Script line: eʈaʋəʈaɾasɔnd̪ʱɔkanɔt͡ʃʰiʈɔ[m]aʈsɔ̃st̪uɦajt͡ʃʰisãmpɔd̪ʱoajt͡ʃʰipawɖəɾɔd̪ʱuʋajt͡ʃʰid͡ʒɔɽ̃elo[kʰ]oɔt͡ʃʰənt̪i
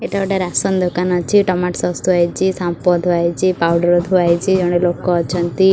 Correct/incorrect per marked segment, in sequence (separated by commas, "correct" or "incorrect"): correct, incorrect